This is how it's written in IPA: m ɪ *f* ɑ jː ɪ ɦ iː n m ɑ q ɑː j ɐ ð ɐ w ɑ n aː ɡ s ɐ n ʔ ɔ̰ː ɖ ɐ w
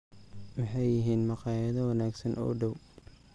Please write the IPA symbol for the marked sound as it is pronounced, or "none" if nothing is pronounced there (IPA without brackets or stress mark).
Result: ħ